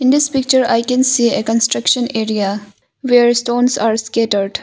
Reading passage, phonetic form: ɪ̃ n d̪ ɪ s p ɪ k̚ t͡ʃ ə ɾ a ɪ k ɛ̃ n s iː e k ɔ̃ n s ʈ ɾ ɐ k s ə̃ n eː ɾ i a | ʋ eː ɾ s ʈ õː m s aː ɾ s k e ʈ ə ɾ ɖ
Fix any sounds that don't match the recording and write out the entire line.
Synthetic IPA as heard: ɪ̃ n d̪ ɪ s p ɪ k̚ t͡ʃ ə ɾ a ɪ k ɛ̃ n s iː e k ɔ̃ n s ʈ ɾ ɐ k ʃ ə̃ n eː ɾ i a | ʋ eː ɾ s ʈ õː n s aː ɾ s k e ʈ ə ɾ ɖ

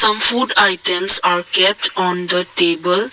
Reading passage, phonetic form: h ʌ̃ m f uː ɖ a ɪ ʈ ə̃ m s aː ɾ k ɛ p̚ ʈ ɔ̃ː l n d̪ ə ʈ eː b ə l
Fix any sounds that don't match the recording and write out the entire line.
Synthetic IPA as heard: s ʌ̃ m f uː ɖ a ɪ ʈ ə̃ m s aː ɾ k ɛ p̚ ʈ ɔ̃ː n d̪ ə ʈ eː b ə l

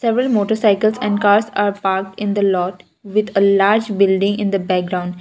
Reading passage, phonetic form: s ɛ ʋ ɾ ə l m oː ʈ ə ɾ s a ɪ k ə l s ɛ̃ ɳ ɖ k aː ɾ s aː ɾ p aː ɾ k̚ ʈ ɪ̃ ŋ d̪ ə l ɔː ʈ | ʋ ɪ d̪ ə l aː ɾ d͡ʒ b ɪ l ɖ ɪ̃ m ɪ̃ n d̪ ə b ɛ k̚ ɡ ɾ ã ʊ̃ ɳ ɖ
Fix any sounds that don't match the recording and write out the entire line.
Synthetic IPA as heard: s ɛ ʋ ɾ ə l m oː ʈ ə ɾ s a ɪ k ə l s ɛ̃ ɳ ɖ k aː ɾ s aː ɾ p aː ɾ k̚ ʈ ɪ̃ n d̪ ə l ɔː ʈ | ʋ ɪ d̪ ə l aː ɾ d͡ʒ b ɪ l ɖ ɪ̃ ŋ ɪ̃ n d̪ ə b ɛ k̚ ɡ ɾ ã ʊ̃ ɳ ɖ

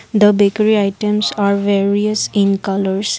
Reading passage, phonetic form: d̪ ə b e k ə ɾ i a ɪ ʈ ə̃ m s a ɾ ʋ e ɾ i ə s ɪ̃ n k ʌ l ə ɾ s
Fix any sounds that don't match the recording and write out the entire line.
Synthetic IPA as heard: d̪ ə b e k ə ɾ i a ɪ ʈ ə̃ m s a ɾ ʋ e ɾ i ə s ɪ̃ n k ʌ l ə ɾ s

